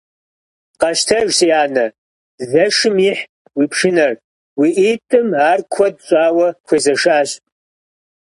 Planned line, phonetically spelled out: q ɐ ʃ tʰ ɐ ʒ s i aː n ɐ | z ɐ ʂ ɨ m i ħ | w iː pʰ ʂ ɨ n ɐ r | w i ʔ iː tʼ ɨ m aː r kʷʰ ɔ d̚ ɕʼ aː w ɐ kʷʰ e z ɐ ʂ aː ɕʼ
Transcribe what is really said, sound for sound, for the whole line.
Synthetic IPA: q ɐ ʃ tʰ ɐ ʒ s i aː n ɐ | z ɐ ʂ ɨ m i ħ | w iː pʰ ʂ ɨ n ɐ r | w i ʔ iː tʼ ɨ m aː r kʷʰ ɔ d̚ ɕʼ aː w ɐ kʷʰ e z ɐ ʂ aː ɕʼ